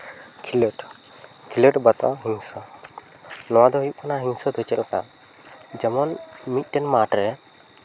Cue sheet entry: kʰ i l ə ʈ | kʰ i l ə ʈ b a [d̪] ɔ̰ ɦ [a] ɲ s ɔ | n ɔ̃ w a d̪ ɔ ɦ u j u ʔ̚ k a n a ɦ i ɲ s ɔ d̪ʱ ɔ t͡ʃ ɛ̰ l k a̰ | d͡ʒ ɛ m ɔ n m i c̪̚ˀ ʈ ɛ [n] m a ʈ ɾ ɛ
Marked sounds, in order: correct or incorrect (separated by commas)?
incorrect, incorrect, correct